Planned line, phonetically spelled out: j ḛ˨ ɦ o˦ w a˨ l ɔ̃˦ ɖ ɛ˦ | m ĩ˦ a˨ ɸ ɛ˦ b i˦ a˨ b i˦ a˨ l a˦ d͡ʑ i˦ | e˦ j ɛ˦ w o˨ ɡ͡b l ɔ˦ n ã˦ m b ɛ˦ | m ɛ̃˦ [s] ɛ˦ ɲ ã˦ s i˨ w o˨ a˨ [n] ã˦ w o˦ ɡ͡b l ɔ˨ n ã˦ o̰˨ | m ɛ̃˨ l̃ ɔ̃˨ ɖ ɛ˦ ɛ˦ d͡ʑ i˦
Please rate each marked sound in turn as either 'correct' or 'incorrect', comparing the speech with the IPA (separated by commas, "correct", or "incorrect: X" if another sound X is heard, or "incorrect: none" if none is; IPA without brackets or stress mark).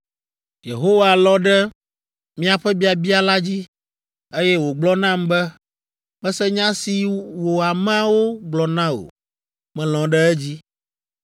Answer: correct, incorrect: m